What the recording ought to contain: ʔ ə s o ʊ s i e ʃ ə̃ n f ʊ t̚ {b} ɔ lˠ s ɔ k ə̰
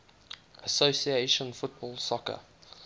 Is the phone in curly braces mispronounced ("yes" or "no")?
no